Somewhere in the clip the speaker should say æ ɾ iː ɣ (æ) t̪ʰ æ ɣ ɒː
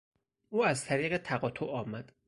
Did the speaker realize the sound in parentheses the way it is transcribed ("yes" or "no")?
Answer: no